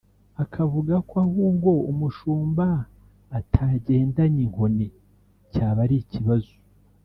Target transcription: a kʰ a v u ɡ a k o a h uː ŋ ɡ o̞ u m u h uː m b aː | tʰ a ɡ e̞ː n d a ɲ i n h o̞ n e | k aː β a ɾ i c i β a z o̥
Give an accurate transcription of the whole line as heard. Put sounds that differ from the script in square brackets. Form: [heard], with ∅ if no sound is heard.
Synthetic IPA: a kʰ a v u ɡ a k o a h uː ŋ ɡ o̞ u m u [ʃ] uː m b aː | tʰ a [ɟ] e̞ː n d a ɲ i [ŋ] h o̞ n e | [c] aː β a ɾ i c i β a z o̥